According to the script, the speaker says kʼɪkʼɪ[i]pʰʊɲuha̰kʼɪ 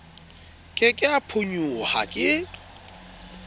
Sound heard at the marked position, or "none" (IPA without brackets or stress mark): a